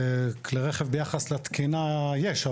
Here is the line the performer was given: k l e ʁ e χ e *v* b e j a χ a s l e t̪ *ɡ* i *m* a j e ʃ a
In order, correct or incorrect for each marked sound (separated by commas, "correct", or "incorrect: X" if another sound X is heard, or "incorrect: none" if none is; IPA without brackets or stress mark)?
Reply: correct, incorrect: k, incorrect: n